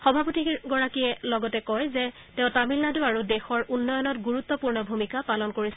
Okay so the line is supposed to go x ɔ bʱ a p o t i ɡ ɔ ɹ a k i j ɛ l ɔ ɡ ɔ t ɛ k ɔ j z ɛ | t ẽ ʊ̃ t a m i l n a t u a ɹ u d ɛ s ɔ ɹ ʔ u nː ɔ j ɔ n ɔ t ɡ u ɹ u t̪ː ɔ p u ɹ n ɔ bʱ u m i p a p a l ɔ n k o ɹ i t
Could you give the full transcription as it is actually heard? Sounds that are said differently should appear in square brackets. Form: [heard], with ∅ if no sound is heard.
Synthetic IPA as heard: x ɔ bʱ a p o t i ɡ ɔ ɹ a k i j ɛ l ɔ ɡ ɔ t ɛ k ɔ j z ɛ | t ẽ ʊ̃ t a m i l n a [d] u a ɹ u d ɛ [x] ɔ ɹ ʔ u nː ɔ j ɔ n ɔ t ɡ u ɹ u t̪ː ɔ p u ɹ n ɔ bʱ u m i [k] a p a l ɔ n k o ɹ i [s]